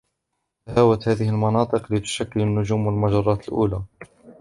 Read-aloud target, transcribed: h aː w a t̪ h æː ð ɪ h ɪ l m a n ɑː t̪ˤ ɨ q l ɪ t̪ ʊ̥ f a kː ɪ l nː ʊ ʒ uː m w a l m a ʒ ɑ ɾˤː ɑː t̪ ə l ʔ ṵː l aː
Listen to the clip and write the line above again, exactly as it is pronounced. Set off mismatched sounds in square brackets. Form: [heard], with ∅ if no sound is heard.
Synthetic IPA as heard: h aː w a t̪ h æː ð ɪ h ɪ l m [ɑ] n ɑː t̪ˤ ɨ q l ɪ t̪ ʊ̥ [ʃ] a kː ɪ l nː ʊ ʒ uː m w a l m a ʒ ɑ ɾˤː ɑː t̪ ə l ʔ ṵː l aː